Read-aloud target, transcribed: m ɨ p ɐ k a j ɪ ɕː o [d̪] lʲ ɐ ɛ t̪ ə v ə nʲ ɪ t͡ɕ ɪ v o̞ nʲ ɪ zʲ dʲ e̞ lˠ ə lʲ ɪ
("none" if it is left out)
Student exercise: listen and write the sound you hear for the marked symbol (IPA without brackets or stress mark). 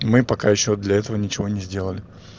d̪